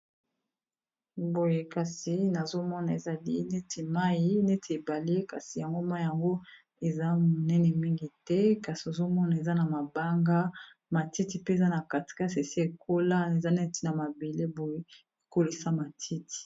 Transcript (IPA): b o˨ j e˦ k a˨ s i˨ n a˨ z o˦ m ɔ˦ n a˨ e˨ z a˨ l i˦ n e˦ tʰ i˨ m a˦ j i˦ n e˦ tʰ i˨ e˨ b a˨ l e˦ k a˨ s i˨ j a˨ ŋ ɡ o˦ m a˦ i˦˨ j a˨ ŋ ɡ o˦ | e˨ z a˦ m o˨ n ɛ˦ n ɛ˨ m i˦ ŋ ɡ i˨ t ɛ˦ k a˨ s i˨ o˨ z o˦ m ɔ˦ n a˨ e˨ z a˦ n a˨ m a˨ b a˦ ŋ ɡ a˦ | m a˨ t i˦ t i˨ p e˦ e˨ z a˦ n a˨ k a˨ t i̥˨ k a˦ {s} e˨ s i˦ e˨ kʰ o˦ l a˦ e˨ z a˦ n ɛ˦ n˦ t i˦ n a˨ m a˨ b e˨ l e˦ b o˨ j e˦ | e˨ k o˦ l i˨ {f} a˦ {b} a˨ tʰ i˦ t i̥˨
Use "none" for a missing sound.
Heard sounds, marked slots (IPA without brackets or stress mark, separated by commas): s, s, m